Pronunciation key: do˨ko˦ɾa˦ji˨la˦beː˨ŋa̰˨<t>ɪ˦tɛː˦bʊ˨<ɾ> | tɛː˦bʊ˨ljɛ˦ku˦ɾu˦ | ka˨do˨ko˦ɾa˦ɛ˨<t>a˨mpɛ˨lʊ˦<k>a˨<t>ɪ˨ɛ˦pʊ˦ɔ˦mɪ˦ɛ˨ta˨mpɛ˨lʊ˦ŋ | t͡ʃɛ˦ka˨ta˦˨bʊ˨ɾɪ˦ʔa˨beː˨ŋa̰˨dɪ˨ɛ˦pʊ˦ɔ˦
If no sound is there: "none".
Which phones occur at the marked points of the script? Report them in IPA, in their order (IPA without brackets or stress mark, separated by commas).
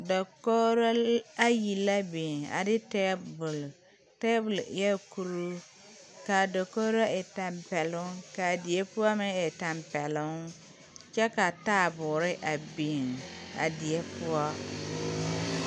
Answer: d, l, t, k, d